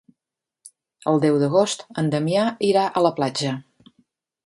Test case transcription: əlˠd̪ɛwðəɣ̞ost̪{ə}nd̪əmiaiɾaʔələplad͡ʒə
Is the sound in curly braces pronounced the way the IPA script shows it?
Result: yes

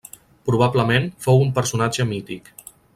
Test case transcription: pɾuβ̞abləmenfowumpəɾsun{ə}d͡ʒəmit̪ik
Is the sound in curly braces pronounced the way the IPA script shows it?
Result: no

